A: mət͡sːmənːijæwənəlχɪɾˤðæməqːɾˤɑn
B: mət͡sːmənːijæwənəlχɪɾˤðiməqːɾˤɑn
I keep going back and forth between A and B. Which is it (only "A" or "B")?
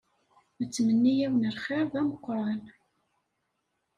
A